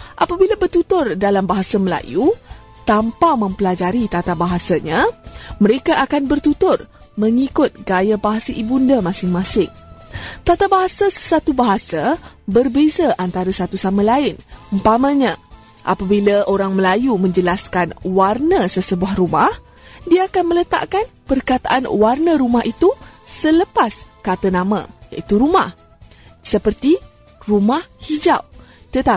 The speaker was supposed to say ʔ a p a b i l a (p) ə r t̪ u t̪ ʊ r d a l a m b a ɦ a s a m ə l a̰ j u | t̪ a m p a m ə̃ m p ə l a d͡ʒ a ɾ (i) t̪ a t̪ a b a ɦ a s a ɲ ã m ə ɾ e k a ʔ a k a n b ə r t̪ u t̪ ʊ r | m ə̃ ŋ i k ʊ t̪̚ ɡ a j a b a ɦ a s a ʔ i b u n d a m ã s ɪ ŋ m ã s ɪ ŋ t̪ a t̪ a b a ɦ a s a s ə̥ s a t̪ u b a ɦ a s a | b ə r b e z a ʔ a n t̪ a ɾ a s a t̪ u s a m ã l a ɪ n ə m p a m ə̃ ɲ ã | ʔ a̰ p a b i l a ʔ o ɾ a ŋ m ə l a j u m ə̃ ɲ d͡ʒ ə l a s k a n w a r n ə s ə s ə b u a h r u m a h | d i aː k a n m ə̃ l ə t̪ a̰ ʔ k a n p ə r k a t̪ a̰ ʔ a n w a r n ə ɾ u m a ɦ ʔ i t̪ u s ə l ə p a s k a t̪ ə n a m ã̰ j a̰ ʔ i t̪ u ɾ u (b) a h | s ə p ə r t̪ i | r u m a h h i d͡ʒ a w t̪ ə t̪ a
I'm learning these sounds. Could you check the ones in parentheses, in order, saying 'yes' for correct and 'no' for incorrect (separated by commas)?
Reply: no, yes, no